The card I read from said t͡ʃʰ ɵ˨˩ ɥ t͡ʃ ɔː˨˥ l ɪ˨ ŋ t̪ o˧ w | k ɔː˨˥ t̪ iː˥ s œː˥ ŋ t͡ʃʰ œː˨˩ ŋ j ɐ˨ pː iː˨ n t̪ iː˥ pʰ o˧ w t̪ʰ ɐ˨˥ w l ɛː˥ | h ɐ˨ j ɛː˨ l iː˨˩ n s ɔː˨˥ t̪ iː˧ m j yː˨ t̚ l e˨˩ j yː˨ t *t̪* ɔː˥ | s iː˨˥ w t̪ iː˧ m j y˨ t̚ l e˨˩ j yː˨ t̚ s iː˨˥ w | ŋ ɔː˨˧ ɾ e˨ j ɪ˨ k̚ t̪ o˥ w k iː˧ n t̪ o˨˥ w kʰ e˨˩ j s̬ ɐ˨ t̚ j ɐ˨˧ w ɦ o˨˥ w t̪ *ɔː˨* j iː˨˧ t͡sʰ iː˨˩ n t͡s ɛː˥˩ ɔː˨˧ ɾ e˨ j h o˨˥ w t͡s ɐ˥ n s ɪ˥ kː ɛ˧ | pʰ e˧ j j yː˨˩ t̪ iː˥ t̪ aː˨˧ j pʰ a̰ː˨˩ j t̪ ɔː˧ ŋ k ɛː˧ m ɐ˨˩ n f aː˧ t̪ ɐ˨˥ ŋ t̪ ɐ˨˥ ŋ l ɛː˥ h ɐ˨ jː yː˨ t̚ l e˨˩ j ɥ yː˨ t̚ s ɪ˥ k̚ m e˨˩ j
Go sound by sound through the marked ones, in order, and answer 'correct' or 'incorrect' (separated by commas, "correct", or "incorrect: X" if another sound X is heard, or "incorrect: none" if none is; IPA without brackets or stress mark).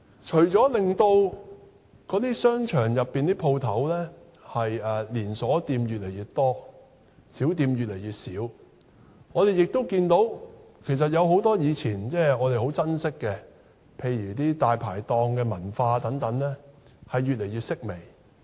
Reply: correct, incorrect: ɔː˥